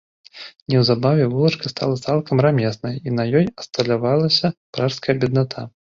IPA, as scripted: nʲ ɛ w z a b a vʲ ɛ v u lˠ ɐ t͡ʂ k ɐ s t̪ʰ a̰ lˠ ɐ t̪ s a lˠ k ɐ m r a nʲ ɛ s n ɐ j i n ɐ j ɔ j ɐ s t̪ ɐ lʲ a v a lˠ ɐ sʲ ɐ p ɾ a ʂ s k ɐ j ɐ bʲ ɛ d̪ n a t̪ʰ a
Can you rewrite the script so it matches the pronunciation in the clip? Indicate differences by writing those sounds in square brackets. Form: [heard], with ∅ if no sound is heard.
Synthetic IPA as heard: nʲ ɛ w z a b a vʲ ɛ v u lˠ ɐ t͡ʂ k ɐ s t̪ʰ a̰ lˠ ɐ t̪ s a lˠ k ɐ m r a [mʲ] ɛ s n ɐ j i n ɐ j ɔ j ɐ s t̪ ɐ lʲ a v a lˠ ɐ sʲ ɐ p ɾ a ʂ s k ɐ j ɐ bʲ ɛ d̪ n a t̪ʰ a